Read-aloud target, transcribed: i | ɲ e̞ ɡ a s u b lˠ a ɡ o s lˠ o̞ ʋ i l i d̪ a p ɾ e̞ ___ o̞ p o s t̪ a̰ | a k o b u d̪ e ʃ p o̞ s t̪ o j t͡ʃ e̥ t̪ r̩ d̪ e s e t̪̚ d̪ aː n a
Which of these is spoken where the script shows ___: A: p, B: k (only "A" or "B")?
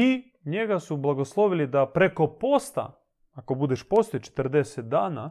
B